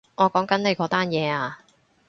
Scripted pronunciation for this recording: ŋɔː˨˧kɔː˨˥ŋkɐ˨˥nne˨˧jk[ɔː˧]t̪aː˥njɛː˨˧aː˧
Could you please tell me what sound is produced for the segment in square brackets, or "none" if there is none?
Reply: ɔː˨˥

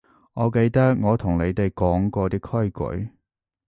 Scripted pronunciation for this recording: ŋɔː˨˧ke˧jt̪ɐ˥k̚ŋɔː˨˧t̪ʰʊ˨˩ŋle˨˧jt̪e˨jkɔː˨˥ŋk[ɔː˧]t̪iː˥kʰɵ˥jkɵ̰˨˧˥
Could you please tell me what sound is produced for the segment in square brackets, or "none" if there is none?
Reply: ɔː˧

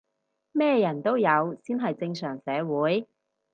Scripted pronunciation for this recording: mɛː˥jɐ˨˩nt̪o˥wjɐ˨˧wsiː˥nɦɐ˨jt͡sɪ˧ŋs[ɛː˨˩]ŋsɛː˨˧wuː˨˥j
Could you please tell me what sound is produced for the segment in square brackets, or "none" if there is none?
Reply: œː˨˩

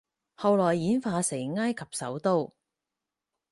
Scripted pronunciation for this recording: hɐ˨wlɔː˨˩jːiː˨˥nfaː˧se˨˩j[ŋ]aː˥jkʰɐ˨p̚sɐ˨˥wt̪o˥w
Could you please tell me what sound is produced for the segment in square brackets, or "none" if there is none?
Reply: ŋ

